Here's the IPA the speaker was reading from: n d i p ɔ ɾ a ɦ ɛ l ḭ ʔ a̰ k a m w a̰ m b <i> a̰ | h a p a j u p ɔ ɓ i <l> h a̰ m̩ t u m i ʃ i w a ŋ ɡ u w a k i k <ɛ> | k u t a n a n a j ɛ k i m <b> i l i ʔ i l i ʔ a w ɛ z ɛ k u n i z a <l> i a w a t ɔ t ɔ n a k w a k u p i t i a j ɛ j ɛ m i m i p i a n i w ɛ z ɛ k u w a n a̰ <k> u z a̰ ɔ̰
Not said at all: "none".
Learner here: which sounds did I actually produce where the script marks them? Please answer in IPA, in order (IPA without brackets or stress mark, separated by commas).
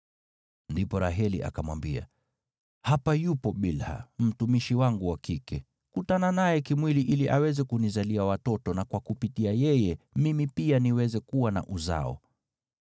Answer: i, l, ɛ, w, l, ʔ